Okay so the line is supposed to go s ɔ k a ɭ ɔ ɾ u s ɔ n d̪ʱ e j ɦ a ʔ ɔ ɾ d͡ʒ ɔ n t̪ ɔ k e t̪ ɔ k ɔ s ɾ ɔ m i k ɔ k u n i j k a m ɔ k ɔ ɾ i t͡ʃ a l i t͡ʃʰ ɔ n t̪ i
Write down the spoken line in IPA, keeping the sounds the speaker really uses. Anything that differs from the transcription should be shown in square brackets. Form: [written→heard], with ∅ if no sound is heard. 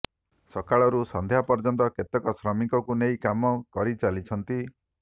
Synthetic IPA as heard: s ɔ k a ɭ ɔ ɾ u s ɔ n d̪ʱ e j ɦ a [ʔ→p] ɔ ɾ d͡ʒ ɔ n t̪ ɔ k e t̪ ɔ k ɔ s ɾ ɔ m i k ɔ k u n [i→e] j k a m ɔ k ɔ ɾ i t͡ʃ a l i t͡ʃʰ ɔ n t̪ i